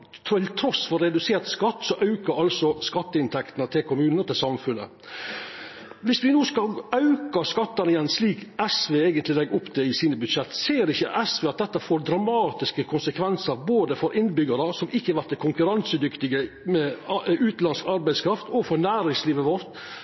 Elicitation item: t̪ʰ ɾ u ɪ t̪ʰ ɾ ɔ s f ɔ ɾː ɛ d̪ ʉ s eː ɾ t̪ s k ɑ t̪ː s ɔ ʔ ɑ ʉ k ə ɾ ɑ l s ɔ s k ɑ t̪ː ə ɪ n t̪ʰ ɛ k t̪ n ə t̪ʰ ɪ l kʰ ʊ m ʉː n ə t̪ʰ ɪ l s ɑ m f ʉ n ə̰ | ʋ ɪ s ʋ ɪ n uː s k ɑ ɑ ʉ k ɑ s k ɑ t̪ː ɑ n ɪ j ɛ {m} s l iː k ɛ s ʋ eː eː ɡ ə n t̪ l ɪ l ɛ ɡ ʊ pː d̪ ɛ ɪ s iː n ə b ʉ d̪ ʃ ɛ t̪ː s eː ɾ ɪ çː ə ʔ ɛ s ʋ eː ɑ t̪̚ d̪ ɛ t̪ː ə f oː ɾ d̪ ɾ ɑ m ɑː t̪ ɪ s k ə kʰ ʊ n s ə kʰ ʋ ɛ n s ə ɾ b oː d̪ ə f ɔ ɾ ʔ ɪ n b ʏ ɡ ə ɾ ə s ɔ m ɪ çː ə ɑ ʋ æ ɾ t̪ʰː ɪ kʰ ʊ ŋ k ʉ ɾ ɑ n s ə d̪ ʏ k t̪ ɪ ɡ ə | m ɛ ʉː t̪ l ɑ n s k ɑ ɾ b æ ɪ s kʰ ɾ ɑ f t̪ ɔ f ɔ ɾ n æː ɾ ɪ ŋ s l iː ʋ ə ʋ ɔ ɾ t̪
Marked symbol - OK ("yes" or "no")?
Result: no